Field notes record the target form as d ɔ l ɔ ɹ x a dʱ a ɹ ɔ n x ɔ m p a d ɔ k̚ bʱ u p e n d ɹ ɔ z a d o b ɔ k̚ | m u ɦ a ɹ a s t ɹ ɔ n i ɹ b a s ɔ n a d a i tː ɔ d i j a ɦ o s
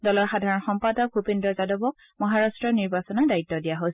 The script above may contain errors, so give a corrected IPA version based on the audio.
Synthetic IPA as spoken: d ɔ l ɔ ɹ x a dʱ a ɹ ɔ n x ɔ m p a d ɔ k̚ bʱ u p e n d ɹ ɔ z a d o b ɔ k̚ | m ɔ ɦ a ɹ a s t ɹ ɔ n i ɹ b a s ɔ n a d a i tː ɔ d i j a ɦ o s